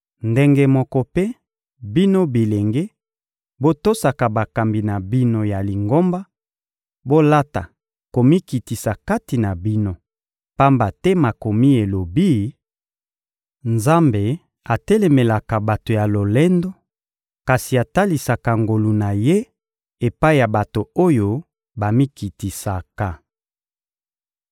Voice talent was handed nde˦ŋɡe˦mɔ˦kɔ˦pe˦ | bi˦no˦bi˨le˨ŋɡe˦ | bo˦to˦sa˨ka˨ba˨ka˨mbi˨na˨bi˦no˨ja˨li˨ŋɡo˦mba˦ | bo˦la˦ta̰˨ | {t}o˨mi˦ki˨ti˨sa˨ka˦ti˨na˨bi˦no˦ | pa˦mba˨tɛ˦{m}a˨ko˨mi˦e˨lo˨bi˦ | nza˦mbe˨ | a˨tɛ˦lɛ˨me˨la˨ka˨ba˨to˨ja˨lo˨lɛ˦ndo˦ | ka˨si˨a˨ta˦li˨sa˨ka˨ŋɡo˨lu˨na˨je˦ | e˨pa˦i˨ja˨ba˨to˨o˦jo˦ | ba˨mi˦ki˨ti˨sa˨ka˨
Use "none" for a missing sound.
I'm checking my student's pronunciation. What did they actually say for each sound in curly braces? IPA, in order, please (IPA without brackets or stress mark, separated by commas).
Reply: k, m